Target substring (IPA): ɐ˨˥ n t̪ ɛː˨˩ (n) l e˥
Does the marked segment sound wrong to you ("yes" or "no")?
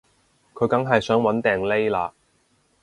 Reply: yes